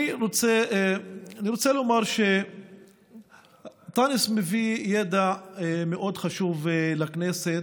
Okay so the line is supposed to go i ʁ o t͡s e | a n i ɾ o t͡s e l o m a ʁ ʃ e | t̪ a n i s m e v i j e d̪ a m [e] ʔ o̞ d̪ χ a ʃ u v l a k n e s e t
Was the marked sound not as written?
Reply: no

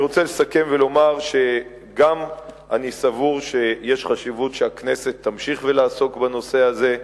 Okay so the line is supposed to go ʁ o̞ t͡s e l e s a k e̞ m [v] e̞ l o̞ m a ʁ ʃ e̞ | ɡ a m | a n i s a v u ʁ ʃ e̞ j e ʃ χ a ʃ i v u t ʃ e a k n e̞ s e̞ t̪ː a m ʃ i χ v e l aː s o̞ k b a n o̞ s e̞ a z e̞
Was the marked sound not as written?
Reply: no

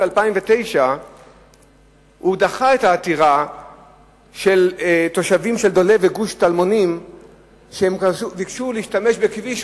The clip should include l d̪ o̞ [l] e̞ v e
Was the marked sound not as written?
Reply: no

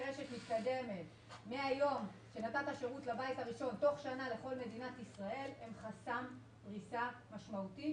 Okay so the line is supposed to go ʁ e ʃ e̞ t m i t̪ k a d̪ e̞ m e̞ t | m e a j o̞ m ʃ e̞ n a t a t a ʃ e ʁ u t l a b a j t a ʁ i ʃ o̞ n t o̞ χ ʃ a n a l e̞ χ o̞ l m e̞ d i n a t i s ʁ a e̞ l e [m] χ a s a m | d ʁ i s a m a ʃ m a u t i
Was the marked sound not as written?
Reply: no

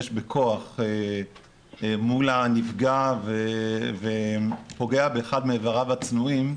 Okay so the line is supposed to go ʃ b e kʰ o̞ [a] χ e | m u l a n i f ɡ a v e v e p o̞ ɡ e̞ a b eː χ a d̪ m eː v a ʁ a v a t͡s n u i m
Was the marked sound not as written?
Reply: no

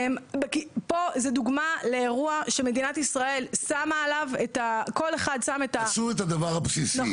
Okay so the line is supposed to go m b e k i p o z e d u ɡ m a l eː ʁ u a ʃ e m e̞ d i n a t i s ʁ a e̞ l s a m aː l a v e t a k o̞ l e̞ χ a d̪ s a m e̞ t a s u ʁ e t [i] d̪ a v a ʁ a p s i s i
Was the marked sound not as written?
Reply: yes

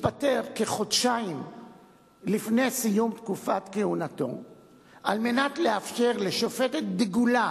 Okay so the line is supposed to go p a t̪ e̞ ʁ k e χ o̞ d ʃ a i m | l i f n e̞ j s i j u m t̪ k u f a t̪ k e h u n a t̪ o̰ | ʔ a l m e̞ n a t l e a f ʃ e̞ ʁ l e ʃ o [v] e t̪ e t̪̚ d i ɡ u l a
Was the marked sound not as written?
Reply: yes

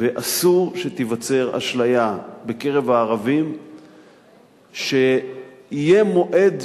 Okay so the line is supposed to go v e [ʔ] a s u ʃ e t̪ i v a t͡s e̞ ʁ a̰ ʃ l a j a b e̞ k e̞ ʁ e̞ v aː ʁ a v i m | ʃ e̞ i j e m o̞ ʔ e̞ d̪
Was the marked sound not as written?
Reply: no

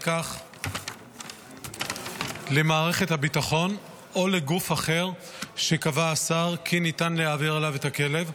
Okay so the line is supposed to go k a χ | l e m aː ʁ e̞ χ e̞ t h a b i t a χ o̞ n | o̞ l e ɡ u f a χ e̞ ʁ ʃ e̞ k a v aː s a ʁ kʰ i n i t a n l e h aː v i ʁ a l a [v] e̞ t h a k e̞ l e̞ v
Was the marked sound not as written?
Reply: no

